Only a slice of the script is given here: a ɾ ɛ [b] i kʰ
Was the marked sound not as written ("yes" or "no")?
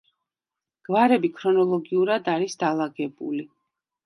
no